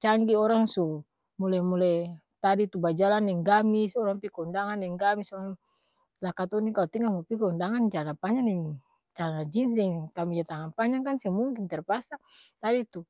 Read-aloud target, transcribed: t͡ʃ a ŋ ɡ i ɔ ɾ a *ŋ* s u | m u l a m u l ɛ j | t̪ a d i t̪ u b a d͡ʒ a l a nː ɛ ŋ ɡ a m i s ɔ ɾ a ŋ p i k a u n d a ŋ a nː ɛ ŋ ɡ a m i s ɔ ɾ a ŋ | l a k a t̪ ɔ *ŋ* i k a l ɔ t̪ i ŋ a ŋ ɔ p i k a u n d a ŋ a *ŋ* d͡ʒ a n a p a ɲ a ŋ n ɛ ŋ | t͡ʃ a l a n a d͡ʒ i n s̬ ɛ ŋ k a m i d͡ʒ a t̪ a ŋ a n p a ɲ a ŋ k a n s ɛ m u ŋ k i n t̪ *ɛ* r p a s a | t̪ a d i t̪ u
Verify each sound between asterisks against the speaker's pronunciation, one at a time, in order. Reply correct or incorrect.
correct, incorrect: n, incorrect: n, correct

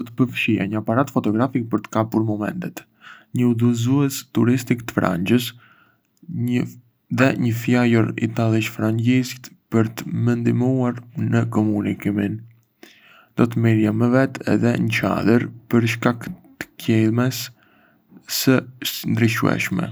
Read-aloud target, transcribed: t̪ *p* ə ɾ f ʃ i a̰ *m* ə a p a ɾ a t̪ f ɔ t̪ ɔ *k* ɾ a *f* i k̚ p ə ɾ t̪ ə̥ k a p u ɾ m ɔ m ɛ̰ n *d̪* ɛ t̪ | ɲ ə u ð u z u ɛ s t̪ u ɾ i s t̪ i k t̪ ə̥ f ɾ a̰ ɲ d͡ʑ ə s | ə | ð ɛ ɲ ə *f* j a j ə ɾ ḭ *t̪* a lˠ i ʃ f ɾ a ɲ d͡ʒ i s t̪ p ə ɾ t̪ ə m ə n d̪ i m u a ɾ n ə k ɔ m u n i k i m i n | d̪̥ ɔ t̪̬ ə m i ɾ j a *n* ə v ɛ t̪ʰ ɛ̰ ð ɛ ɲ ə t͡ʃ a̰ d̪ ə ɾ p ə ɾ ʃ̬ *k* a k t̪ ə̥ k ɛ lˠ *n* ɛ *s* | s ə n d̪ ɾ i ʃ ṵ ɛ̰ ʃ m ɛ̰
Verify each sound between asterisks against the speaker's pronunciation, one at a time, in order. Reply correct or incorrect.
correct, incorrect: ɲ, incorrect: ɡ, correct, incorrect: t̪, correct, correct, incorrect: m, correct, incorrect: m, correct

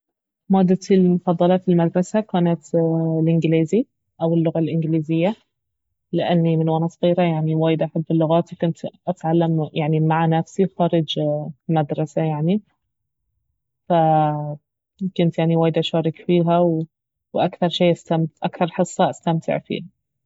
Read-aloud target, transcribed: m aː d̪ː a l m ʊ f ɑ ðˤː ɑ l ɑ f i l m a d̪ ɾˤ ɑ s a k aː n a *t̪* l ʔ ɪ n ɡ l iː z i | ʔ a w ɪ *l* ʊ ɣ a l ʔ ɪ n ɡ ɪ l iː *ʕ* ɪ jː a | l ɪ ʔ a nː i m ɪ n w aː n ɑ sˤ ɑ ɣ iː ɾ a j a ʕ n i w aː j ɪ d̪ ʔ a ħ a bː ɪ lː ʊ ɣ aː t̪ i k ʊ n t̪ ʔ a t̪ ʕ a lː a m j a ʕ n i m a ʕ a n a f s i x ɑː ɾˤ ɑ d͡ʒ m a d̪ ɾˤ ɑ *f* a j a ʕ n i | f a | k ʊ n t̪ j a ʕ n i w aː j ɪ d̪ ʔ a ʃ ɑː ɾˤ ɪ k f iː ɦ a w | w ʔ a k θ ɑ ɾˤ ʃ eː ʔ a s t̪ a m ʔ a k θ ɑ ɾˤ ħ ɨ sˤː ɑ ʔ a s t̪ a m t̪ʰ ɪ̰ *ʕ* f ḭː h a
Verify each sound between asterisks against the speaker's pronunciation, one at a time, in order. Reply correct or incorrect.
correct, incorrect: lː, incorrect: z, incorrect: s, correct

